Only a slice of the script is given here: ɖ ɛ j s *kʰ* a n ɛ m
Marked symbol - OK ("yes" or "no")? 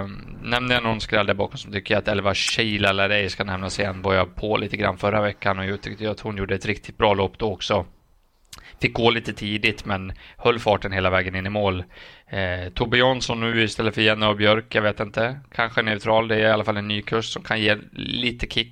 no